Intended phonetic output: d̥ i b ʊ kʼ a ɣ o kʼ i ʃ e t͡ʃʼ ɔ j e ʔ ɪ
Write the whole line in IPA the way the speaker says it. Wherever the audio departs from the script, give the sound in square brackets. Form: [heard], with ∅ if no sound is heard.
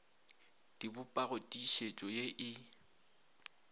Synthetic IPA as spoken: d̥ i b ʊ [pʼ] a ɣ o [tʼ] i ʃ e t͡ʃʼ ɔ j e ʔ ɪ